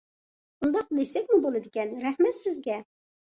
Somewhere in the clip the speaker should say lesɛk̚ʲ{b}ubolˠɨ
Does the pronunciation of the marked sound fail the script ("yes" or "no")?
yes